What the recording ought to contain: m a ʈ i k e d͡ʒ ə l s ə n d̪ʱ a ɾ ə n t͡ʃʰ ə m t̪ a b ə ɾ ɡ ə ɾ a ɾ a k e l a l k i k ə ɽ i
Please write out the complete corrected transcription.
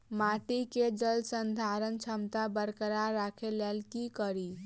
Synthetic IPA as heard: m a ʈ i k e d͡ʒ ə l s ə n d̪ʱ a ɾ ə n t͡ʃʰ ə m t̪ a b ə ɾ k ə ɾ a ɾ a kʰ e l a l k i k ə ɾ i